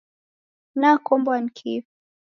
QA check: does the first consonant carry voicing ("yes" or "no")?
yes